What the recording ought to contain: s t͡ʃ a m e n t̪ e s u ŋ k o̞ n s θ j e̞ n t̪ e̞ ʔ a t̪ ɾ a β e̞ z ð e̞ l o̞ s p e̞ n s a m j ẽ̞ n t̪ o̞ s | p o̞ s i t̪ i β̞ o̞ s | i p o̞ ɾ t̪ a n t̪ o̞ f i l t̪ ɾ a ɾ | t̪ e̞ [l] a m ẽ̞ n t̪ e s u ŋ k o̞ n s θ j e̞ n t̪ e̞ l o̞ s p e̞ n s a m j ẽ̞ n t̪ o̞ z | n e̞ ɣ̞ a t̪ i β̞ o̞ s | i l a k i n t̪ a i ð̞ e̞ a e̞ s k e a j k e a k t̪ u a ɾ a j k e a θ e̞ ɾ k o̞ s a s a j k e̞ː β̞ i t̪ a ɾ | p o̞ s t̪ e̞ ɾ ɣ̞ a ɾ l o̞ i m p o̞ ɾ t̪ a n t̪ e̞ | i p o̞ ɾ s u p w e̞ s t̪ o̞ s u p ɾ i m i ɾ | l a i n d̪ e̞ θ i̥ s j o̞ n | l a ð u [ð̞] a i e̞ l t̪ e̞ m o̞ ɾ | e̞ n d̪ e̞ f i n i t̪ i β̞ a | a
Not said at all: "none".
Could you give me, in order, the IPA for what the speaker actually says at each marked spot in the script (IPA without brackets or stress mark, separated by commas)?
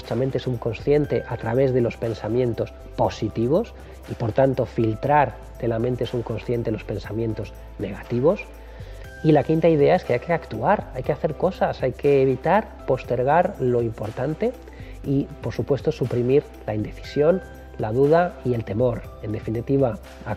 l, ð̞